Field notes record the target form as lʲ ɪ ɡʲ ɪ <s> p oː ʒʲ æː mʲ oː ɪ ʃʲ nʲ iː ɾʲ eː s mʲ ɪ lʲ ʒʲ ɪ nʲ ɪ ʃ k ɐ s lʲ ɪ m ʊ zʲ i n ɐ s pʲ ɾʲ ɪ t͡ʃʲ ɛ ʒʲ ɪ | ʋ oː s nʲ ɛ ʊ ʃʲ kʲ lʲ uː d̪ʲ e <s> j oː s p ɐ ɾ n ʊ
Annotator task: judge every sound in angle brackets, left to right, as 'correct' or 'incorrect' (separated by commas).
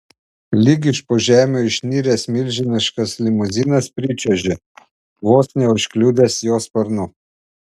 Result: incorrect, correct